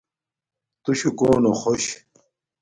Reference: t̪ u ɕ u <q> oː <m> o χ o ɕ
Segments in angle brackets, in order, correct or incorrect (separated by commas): incorrect, incorrect